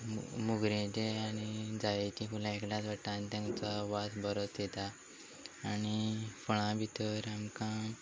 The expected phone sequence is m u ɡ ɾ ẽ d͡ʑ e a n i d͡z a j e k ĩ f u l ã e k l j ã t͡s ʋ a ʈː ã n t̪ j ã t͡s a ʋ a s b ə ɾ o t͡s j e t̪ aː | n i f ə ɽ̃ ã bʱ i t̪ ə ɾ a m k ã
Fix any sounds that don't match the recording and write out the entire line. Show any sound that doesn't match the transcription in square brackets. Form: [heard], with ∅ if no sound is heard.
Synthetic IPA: m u ɡ ɾ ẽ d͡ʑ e a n i d͡z a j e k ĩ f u l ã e k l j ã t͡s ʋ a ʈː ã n t̪ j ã t͡s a ʋ a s b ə ɾ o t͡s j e t̪ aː | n i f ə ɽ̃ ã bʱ i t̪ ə ɾ a m k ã